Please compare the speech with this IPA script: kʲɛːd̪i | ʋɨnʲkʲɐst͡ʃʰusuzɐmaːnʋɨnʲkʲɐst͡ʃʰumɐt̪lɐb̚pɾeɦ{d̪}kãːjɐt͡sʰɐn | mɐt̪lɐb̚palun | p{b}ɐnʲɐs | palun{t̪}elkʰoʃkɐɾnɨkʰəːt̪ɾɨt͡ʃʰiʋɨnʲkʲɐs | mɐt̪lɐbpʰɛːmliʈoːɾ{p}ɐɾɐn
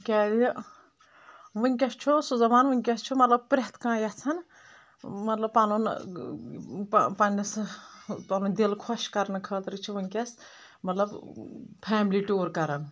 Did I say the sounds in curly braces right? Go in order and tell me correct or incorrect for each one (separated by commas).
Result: incorrect, incorrect, incorrect, incorrect